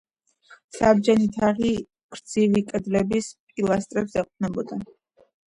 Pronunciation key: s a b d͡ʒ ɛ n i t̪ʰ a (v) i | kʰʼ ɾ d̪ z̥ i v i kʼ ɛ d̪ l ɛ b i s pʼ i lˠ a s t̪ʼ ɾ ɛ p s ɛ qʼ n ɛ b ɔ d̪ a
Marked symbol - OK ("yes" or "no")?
no